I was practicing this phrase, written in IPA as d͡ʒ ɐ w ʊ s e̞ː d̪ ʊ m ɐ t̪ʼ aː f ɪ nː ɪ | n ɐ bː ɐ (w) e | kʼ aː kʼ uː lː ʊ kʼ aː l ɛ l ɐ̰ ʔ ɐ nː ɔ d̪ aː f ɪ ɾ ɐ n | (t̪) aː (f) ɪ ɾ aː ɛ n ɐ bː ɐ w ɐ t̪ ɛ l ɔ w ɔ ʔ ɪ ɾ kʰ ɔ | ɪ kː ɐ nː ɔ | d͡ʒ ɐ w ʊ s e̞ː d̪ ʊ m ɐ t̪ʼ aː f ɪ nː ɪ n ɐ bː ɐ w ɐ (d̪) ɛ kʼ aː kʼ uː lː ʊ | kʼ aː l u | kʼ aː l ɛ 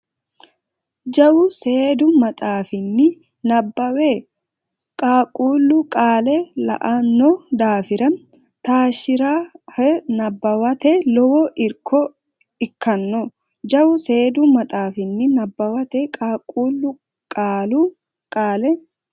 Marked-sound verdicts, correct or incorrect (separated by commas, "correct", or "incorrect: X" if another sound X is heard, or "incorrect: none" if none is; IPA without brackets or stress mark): correct, correct, incorrect: ʃ, incorrect: t̪